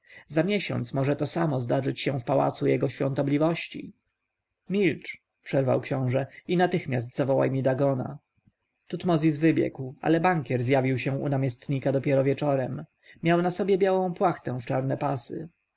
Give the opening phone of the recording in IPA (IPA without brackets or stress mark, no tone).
z